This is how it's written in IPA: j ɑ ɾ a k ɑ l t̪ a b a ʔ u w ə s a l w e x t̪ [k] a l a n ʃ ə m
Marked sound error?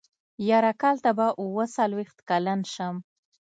no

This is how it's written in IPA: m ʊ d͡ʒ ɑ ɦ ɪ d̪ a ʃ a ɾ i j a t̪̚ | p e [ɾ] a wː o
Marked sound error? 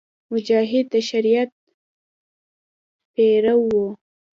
no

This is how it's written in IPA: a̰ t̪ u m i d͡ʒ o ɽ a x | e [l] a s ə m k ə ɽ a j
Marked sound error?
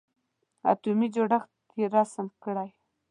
yes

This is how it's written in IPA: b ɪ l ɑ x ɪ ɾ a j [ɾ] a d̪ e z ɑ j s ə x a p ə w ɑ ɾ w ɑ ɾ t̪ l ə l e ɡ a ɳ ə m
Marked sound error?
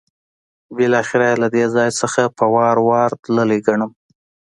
yes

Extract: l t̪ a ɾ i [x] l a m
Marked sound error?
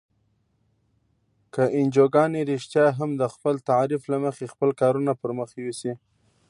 yes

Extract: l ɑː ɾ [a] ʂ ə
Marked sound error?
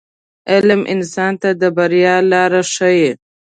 no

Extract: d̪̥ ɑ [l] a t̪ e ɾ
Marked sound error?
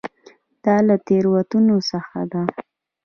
no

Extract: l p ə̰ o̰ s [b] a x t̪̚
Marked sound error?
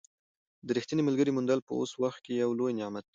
yes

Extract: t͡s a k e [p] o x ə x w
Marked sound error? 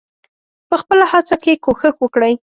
yes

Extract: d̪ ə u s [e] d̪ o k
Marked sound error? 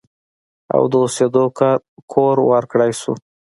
no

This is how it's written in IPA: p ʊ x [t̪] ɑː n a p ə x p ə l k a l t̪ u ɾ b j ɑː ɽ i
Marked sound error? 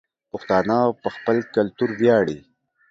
no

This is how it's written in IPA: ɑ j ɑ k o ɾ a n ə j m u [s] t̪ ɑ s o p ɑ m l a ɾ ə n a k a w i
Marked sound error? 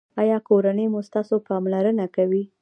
no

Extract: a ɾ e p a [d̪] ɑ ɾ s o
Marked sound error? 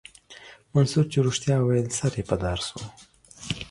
no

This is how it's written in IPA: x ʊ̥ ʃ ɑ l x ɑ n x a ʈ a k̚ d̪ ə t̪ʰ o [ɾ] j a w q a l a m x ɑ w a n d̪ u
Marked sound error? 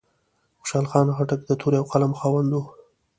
no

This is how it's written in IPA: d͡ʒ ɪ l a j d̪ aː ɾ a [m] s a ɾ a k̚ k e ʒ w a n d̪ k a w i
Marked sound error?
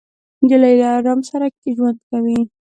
no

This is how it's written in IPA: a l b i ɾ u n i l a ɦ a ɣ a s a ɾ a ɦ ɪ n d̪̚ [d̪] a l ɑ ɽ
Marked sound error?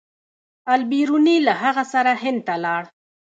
yes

